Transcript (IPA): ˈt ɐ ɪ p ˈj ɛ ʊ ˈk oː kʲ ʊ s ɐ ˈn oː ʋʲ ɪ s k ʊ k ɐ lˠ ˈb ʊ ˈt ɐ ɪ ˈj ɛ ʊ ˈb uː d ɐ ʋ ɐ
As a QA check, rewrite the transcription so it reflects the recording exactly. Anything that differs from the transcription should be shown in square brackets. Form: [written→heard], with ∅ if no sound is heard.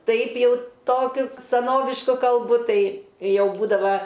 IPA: ˈt ɐ ɪ p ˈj ɛ ʊ [ˈk→ˈt] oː kʲ ʊ s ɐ ˈn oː ʋʲ ɪ [s→ʃ] k ʊ k ɐ lˠ ˈb ʊ ˈt ɐ ɪ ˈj ɛ ʊ ˈb uː d ɐ ʋ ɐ